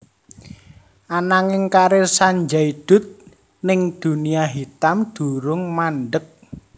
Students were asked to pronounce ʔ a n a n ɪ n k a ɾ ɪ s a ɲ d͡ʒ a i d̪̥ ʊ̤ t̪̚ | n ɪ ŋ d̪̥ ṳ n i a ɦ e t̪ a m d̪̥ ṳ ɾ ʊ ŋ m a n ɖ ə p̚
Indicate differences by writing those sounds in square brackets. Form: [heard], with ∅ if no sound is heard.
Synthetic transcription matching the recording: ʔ a n a [ŋ] ɪ [ŋ] k a ɾ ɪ s a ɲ d͡ʒ a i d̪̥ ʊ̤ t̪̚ | n ɪ ŋ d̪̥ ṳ n i a ɦ [i] t̪ a m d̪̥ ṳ ɾ ʊ ŋ m a n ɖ ə [k̚]